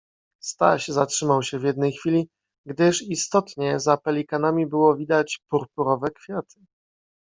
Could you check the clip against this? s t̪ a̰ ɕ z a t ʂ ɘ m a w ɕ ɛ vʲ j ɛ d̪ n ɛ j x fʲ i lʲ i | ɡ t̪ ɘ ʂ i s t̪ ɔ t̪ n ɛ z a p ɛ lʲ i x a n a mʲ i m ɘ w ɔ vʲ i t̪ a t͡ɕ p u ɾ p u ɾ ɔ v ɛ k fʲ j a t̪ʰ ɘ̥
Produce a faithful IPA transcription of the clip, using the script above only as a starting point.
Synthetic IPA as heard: s t̪ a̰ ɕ z a t ʂ ɘ m a w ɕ ɛ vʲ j ɛ d̪ n ɛ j x fʲ i lʲ i | ɡ d̪ ɘ ʂ i s t̪ ɔ t̪ ɲ ɛ z a p ɛ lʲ i k a n a mʲ i b ɘ w ɔ vʲ i d̪ a t͡ɕ p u ɾ p u ɾ ɔ v ɛ k fʲ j a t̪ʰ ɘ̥